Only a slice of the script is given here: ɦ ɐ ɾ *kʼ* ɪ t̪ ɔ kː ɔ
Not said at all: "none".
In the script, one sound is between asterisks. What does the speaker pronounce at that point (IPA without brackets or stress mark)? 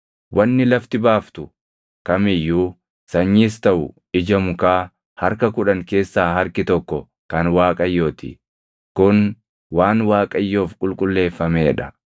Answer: k